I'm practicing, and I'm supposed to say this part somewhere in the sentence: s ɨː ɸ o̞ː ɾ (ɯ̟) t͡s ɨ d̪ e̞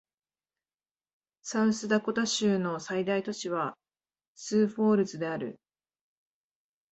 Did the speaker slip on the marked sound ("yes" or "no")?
no